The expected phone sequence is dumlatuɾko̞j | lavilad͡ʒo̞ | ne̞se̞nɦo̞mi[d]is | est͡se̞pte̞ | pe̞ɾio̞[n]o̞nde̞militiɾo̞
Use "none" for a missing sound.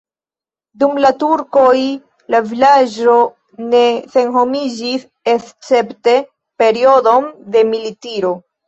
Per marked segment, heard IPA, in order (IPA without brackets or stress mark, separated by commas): d͡ʒ, d